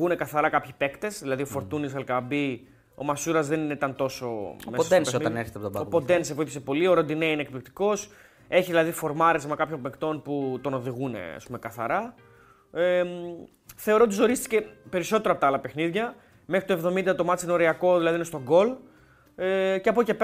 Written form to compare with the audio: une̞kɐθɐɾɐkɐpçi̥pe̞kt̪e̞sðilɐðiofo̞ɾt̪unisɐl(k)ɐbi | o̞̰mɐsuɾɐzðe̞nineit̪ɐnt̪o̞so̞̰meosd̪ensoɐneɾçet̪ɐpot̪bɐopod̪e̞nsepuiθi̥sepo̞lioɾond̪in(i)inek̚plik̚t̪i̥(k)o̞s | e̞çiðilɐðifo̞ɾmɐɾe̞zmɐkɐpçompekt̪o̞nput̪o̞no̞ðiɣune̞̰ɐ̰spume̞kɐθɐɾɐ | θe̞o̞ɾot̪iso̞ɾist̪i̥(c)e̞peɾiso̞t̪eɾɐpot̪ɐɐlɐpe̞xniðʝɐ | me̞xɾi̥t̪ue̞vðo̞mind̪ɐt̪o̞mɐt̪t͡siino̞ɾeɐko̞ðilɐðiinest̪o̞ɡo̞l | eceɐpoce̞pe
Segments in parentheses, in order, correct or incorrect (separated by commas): correct, incorrect, correct, correct